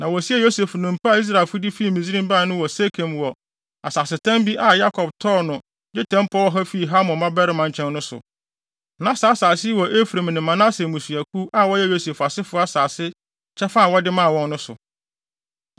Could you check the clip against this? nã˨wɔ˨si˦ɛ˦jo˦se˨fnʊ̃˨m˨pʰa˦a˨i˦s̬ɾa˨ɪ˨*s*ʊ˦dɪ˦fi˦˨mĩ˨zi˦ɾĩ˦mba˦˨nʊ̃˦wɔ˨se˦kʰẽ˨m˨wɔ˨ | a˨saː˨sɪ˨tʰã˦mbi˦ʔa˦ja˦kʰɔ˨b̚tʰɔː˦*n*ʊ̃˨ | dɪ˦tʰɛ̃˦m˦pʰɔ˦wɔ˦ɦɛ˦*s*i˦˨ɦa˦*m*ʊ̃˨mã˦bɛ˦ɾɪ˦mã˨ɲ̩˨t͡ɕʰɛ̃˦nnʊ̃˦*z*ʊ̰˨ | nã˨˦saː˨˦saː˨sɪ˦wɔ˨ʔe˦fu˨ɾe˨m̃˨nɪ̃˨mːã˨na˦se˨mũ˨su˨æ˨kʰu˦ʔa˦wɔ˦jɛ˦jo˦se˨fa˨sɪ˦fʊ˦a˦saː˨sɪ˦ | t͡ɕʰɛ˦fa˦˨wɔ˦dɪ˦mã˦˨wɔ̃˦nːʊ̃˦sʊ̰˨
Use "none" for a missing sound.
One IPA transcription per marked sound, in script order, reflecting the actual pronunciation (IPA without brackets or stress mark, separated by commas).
f, n, f, m, s